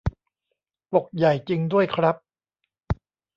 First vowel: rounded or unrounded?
rounded